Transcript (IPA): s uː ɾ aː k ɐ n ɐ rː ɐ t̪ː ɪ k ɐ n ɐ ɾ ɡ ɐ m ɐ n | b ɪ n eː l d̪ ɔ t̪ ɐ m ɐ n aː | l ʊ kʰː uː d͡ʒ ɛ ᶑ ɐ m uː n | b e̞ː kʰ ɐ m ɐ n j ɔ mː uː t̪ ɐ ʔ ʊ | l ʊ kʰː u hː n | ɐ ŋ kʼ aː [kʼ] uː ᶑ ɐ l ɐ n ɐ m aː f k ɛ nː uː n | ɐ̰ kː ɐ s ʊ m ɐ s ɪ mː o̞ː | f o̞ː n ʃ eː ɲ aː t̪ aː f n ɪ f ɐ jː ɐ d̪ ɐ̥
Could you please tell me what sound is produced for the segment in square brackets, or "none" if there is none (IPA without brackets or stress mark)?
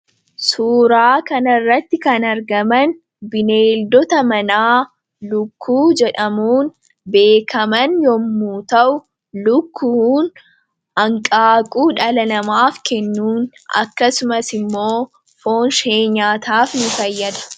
kʼ